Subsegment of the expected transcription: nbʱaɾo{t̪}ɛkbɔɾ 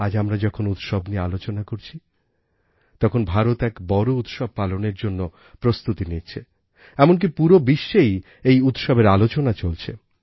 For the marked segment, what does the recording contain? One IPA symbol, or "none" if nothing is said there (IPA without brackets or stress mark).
t̪